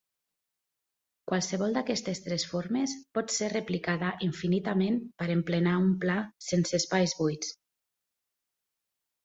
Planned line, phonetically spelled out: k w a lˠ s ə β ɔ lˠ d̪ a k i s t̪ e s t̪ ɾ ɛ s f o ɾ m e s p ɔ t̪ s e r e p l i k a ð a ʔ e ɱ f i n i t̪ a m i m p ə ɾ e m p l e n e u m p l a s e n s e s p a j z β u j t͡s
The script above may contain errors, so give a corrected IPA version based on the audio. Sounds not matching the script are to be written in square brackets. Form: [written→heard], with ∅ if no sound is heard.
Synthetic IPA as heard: k w a lˠ s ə β ɔ lˠ d̪ a k [i→ɛ] s t̪ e s t̪ ɾ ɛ s f o ɾ m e s p ɔ t̪ s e r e p l i k a ð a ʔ [e→i] ɱ f i n i t̪ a m [i→e] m p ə ɾ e m p l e n [e→a] u m p l a s e n s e s p a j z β u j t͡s

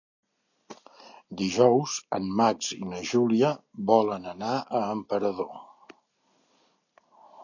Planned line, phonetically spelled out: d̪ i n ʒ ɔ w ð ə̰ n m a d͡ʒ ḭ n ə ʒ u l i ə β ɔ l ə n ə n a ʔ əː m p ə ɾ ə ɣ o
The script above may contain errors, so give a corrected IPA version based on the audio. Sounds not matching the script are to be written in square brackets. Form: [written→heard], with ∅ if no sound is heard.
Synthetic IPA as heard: d̪ i [n→∅] ʒ ɔ w [ð→z] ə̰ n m a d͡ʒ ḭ n ə ʒ u l i ə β ɔ l ə n ə n a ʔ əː m p ə ɾ ə [ɣ→ð] o

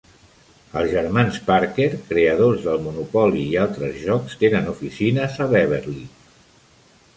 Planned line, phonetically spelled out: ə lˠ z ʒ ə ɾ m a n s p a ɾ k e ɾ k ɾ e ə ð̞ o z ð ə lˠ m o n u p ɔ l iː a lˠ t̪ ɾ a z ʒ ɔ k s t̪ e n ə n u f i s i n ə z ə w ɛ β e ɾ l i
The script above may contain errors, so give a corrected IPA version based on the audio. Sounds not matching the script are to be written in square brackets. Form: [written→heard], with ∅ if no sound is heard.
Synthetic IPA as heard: ə lˠ z ʒ ə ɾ m a n s p a ɾ k e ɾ k ɾ e ə ð̞ o z ð ə lˠ m [o→u] n u p ɔ l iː a lˠ t̪ ɾ [a→ə] z ʒ ɔ k s t̪ e n ə n u f i s i n ə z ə [w→β] ɛ β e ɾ l i

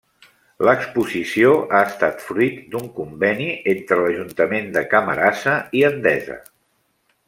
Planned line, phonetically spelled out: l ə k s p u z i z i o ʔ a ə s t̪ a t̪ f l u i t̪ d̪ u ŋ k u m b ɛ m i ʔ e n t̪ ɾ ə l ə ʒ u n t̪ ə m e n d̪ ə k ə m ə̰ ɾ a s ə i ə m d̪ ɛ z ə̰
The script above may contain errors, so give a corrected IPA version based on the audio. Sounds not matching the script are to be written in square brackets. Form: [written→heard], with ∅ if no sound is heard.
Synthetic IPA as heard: l ə k s p u z i [z→s] i o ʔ a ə s t̪ a t̪ f [l→ɾ] u i t̪ d̪ u ŋ k u m b ɛ [m→n] i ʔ e n t̪ ɾ ə l ə ʒ u n t̪ ə m e n d̪ ə k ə m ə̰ ɾ a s ə i ə [m→n] d̪ ɛ z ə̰

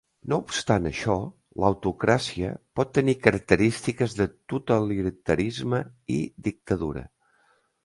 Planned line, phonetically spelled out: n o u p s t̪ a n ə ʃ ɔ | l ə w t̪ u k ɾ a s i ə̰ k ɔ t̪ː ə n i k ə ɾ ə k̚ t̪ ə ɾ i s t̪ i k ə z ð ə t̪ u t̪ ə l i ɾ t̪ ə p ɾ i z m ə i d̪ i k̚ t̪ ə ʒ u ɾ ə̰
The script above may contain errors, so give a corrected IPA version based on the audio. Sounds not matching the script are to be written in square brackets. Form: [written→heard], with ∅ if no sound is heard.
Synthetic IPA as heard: n o u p s t̪ a n ə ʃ ɔ | l ə w t̪ u k ɾ a s i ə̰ [k→p] ɔ t̪ː ə n i k ə ɾ ə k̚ t̪ ə ɾ i s t̪ i k ə z ð ə t̪ u t̪ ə l i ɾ t̪ ə [p→∅] ɾ i z m ə i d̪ i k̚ t̪ ə [ʒ→ð] u ɾ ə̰

